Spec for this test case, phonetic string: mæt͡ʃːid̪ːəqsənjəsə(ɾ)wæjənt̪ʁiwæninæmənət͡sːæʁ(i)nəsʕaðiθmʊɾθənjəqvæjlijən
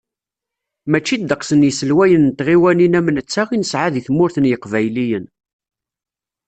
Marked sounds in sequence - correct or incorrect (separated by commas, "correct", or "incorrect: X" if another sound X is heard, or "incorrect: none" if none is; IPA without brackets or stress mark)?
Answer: incorrect: l, correct